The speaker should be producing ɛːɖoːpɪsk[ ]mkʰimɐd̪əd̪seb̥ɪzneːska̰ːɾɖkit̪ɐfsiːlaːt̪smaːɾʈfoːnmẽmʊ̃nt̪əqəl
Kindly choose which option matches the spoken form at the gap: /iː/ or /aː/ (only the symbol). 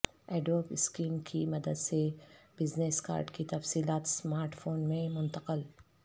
iː